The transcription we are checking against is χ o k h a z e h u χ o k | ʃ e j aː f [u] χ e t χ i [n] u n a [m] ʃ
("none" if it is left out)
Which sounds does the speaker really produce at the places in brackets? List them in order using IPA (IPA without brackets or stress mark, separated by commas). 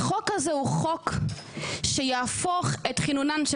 o, n, n